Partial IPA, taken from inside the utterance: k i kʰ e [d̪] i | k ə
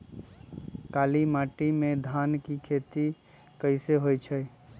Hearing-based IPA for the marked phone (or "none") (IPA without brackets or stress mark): t̪